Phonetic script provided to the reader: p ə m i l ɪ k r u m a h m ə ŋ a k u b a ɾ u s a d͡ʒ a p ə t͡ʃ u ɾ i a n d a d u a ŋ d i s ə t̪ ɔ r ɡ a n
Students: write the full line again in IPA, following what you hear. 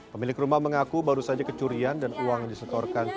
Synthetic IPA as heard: p ə m i l ɪ k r u m a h m ə ŋ a k u b a ɾ u s a d͡ʒ a k ə t͡ʃ u ɾ i a n d a n u a ŋ d i s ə t̪ ɔ r k a n